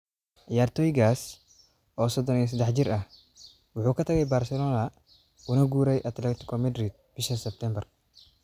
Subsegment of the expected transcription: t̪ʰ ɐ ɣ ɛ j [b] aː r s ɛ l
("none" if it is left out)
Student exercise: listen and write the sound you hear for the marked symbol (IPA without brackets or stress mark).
b